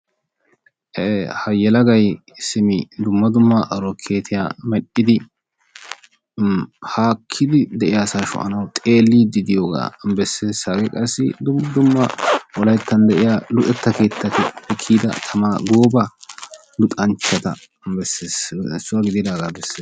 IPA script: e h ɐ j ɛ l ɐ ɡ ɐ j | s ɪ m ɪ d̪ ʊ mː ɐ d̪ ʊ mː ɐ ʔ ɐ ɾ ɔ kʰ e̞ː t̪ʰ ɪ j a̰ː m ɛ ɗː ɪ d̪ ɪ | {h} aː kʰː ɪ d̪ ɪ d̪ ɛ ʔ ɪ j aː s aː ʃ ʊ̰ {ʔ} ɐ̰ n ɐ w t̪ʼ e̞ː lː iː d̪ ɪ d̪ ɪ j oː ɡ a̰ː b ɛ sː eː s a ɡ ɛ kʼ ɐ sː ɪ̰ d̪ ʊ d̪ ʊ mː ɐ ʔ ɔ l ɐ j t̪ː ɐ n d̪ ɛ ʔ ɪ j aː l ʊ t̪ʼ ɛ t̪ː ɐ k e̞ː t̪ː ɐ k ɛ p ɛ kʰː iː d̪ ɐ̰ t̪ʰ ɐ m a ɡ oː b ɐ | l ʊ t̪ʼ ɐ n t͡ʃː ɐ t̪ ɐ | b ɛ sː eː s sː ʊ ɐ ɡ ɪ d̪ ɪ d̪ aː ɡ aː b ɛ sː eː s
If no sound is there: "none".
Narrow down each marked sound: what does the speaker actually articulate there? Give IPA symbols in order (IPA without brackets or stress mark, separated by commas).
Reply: h, ʔ